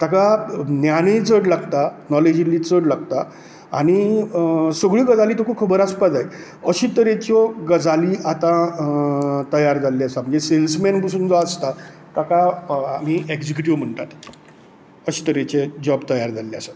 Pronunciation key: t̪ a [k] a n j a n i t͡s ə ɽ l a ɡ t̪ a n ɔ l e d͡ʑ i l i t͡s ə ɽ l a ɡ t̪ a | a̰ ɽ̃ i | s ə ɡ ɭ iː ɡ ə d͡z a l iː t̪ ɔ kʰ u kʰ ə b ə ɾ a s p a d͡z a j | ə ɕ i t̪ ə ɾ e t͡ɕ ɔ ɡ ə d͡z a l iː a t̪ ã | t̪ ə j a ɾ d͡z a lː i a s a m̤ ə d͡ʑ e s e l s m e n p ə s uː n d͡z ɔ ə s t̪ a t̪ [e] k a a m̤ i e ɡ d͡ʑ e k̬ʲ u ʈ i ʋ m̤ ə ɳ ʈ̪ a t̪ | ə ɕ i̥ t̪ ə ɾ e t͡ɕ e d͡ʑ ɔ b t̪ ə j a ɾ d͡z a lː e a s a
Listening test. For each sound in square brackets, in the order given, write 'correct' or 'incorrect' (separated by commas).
correct, incorrect